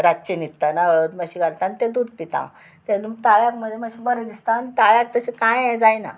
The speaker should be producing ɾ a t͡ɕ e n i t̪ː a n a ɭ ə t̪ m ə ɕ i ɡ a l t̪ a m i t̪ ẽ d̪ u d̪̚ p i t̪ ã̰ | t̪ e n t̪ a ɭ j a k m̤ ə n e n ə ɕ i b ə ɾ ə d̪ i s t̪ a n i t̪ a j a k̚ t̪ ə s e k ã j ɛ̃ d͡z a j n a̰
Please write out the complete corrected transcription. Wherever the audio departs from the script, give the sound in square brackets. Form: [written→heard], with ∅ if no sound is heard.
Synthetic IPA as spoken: ɾ a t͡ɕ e n i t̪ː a n a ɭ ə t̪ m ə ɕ i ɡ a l t̪ a [m→n] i t̪ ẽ d̪ u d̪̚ p i t̪ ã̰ | t̪ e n t̪ a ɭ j a k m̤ ə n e [n→m] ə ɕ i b ə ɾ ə d̪ i s t̪ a n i t̪ a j a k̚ t̪ ə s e k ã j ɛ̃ d͡z a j n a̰